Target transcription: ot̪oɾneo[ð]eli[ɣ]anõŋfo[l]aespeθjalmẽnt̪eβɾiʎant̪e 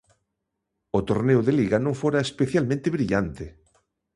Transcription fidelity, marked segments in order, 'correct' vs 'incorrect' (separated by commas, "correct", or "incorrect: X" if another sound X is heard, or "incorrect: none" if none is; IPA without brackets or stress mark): correct, correct, incorrect: ɾ